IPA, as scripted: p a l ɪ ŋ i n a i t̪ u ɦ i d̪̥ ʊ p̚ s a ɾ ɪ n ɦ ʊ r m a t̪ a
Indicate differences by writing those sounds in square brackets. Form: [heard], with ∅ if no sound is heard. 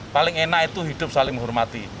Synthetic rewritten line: p a l ɪ ŋ [e] n a i t̪ u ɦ i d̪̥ ʊ p̚ s a [l] ɪ [ŋ] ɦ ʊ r m a t̪ [i]